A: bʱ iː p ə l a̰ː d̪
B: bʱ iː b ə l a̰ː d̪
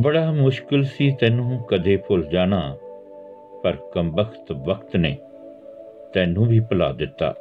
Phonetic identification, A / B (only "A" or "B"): A